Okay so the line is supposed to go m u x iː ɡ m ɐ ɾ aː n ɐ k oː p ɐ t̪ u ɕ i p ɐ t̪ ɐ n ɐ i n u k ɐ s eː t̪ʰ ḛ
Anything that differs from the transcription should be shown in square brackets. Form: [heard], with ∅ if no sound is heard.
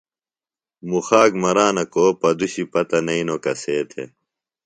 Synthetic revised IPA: m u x [aː] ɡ m ɐ ɾ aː n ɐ k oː p ɐ [d̪] u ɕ i p ɐ t̪ ɐ n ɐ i n [o] k ɐ s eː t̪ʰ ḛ